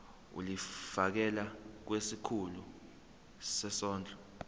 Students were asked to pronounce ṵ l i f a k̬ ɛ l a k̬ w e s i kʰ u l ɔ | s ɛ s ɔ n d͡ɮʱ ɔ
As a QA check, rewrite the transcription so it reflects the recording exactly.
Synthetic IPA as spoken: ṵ l i f a k̬ ɛ l a k̬ w e s i kʰ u l u | s ɛ s ɔː n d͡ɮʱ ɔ